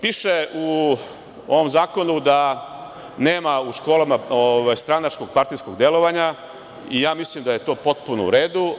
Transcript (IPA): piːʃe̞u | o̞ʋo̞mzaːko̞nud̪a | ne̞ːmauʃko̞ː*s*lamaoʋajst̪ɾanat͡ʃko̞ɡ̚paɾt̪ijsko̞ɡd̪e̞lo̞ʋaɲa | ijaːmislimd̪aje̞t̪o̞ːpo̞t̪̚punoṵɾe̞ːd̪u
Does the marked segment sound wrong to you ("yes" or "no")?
yes